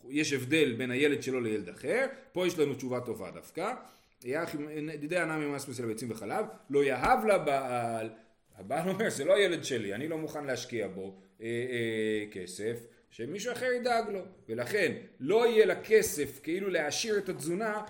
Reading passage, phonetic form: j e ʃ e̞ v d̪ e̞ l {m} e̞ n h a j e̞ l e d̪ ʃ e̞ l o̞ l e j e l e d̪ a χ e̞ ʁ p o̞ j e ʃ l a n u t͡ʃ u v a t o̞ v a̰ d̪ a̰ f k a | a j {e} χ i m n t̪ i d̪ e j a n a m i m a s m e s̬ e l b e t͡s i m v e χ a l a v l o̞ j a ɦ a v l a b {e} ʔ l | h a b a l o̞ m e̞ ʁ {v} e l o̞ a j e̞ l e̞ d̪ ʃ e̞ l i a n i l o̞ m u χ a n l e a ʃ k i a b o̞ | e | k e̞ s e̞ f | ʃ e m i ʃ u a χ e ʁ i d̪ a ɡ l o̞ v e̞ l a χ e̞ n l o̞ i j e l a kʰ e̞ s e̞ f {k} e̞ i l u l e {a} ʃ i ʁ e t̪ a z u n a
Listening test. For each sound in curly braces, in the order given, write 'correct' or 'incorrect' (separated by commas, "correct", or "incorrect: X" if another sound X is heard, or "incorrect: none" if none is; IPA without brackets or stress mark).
incorrect: b, incorrect: a, incorrect: a, incorrect: z, correct, correct